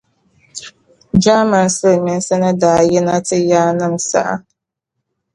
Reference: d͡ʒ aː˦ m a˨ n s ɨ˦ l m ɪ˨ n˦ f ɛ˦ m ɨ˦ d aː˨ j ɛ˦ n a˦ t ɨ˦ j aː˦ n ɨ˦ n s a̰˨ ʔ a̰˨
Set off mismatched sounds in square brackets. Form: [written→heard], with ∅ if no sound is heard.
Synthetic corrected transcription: d͡ʒ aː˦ m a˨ n s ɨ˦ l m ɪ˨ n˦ [f→s] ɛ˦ [m→n] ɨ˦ d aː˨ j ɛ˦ n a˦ t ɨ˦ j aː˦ n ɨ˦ [n→m] s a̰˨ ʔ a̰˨